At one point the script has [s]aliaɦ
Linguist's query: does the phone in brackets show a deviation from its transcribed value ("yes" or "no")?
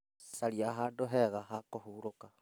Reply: no